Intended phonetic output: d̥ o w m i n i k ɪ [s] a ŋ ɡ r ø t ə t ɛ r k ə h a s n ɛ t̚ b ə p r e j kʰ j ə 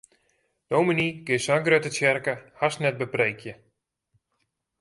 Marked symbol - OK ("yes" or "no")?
yes